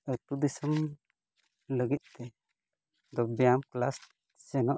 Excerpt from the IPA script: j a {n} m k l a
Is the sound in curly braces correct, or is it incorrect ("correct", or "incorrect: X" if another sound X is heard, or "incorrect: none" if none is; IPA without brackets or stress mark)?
incorrect: none